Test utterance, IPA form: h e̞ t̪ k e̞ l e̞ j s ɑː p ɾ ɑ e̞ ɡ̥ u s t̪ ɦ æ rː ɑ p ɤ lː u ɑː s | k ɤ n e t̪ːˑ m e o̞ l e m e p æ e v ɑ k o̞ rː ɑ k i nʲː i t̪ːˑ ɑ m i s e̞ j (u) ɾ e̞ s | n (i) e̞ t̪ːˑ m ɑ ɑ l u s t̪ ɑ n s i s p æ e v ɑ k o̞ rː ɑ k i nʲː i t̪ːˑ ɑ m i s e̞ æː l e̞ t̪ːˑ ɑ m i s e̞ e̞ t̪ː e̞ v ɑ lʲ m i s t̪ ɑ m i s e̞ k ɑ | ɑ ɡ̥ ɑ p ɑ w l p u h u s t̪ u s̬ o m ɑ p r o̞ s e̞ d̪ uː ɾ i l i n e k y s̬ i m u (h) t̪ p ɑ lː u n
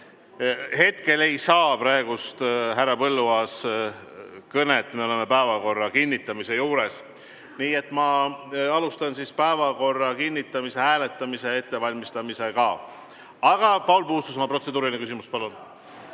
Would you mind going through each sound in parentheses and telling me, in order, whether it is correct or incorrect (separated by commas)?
incorrect, incorrect, incorrect